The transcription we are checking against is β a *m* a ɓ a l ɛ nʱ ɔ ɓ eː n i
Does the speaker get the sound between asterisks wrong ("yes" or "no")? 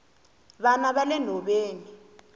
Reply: yes